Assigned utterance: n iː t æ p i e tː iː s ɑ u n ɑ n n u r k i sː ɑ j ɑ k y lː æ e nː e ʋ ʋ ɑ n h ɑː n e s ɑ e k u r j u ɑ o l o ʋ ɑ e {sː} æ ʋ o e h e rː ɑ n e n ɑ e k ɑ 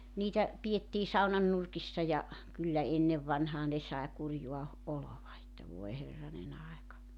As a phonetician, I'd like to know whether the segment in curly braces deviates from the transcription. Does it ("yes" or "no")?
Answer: yes